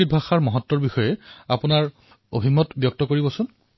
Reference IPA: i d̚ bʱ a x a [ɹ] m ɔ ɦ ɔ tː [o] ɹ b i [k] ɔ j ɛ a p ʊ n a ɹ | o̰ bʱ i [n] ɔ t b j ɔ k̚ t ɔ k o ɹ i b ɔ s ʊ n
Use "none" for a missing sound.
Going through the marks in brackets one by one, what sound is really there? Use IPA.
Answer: ɹ, ɔ, x, m

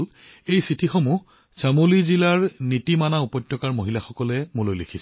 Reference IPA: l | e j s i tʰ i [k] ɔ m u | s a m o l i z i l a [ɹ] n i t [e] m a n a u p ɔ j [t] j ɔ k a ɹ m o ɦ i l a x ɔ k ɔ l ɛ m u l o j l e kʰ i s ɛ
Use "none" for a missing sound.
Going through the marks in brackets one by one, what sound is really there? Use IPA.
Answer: x, ɹ, i, t

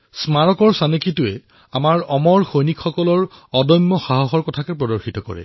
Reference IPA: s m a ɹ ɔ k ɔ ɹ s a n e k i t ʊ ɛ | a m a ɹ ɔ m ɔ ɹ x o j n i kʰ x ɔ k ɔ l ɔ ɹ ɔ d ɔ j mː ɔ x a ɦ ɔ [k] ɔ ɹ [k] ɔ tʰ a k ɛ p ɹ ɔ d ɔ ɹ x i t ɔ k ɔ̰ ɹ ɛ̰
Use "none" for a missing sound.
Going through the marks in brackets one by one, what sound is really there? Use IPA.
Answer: x, k

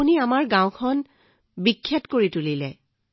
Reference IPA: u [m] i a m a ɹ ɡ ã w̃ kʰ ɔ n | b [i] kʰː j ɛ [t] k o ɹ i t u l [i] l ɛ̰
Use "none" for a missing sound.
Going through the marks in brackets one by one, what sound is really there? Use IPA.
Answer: n, i, t, i

